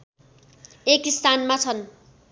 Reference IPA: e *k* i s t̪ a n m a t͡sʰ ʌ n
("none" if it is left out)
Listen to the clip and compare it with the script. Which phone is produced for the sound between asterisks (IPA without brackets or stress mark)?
k